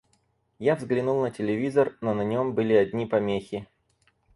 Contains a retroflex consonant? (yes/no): no